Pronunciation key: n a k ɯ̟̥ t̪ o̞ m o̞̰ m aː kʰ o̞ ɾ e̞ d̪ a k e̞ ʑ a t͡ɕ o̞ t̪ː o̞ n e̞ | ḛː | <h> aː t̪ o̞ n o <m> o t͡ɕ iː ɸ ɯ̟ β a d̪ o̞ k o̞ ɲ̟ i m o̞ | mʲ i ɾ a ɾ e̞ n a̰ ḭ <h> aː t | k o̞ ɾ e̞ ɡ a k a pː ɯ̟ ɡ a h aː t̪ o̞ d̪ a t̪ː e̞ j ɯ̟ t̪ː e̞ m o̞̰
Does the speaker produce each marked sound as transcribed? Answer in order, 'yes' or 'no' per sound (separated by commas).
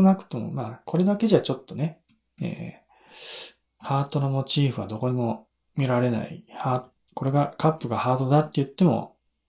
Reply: yes, yes, yes